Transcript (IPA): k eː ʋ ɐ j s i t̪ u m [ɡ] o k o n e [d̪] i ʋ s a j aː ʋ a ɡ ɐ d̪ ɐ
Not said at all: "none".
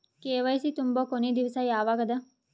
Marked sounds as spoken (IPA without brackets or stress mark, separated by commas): b, d̪